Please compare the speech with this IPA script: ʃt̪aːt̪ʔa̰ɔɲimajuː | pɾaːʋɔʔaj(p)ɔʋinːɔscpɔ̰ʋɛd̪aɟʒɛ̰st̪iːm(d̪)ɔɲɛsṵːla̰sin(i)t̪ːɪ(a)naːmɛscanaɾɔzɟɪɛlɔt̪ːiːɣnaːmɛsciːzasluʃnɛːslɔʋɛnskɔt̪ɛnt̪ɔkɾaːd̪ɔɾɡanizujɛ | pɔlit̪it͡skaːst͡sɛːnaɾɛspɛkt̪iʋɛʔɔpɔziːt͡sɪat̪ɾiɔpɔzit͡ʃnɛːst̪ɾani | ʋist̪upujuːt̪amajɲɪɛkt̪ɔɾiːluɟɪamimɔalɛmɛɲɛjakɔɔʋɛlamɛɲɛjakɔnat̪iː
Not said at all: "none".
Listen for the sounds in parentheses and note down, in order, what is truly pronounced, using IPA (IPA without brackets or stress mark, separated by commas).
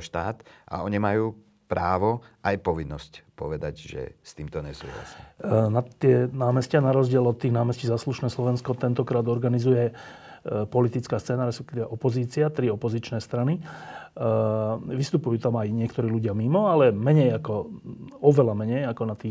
p, t̪, a, ɛ